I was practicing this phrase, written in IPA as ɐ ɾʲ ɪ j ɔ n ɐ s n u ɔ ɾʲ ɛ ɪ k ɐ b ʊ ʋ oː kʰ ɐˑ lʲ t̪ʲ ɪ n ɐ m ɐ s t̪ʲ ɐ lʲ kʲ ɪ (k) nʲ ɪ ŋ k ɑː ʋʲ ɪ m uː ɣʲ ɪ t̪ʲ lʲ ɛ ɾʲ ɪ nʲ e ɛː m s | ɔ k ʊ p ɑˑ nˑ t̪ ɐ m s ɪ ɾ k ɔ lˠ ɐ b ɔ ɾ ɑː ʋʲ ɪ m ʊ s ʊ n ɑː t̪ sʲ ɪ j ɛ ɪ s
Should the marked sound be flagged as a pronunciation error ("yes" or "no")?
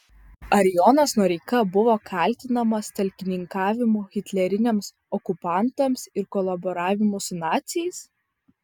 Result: yes